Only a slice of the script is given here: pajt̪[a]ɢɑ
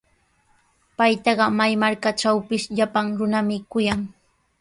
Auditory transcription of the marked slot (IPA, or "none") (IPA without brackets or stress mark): ɑ